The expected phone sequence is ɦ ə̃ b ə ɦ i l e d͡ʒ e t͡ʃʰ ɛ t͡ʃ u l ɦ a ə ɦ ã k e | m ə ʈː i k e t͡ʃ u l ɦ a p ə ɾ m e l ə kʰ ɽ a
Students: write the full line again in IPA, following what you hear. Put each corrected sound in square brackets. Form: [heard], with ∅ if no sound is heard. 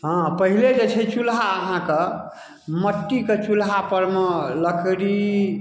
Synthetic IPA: ɦ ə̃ [p] ə ɦ i l e d͡ʒ e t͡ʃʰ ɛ t͡ʃ u l ɦ a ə ɦ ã k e | m ə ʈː i k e t͡ʃ u l ɦ a p ə ɾ m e l ə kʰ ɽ [i]